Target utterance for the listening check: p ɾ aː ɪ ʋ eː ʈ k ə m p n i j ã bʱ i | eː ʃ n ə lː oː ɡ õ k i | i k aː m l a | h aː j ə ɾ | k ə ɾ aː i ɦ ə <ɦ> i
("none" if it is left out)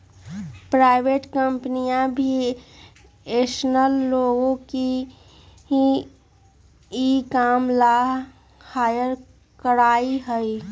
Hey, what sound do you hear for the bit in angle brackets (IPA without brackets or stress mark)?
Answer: none